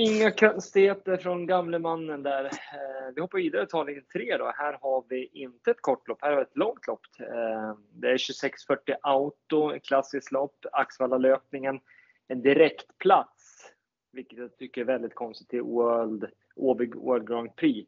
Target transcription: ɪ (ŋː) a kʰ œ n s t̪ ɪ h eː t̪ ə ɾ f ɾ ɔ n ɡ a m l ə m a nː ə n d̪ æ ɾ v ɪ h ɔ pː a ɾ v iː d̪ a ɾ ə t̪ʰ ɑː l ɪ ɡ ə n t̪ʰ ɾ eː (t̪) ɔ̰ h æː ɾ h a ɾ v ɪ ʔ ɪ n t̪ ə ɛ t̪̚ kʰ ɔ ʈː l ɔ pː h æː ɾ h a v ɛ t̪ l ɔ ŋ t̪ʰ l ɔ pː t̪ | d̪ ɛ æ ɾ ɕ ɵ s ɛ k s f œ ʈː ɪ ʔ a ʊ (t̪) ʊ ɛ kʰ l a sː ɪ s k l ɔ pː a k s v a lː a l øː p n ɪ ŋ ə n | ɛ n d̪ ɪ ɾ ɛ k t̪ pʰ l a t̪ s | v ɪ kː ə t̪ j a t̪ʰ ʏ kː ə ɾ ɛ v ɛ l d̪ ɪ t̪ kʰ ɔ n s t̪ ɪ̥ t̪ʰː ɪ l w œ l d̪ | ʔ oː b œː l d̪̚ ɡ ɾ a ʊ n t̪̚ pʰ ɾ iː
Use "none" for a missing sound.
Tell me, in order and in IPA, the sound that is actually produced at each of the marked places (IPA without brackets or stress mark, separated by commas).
ŋː, d̪, t̪